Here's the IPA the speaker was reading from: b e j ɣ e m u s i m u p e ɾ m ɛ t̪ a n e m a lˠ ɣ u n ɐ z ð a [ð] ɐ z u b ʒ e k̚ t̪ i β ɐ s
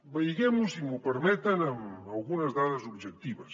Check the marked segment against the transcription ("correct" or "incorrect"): correct